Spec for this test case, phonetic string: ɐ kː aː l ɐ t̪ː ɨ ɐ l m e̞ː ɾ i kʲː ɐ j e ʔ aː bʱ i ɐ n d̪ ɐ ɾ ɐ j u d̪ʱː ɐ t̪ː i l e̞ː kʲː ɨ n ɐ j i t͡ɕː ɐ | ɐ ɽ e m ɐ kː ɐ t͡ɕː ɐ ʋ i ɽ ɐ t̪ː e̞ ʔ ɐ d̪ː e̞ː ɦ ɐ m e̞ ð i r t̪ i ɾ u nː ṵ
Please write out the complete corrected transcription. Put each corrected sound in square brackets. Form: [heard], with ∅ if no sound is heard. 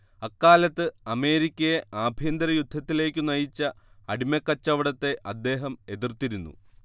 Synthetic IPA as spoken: ɐ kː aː l ɐ t̪ː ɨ ɐ [∅] m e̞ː ɾ i kʲː ɐ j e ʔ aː bʱ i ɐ n d̪ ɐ ɾ ɐ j u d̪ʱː ɐ t̪ː i l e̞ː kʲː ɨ n ɐ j i t͡ɕː ɐ | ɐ ɽ [i] m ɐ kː ɐ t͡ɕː ɐ ʋ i ɽ ɐ t̪ː e̞ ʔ ɐ d̪ː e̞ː ɦ ɐ m e̞ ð i r t̪ i ɾ u nː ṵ